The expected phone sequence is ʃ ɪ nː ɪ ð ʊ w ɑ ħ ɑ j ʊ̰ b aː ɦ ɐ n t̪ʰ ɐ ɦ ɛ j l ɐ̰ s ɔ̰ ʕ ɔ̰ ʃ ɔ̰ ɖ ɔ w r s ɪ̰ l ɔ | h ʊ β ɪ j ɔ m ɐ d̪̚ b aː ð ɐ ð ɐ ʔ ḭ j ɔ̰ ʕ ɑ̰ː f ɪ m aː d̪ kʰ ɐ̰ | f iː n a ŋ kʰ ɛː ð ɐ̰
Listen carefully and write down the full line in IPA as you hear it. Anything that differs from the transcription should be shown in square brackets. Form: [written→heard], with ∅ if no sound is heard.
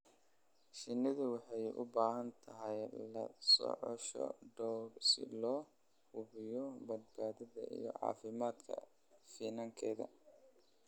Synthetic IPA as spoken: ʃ ɪ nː ɪ ð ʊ w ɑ ħ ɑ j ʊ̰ b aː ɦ ɐ n t̪ʰ ɐ ɦ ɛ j l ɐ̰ s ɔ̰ ʕ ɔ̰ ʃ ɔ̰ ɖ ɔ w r s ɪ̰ l [ɔ→ɔː] | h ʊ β ɪ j ɔ [m→b] ɐ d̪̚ b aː ð ɐ ð ɐ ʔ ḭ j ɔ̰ ʕ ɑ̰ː f ɪ m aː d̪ kʰ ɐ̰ | f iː n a ŋ kʰ ɛː ð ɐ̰